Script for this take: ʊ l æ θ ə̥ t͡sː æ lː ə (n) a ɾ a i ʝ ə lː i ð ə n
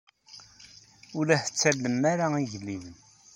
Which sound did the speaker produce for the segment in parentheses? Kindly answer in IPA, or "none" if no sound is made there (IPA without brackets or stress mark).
m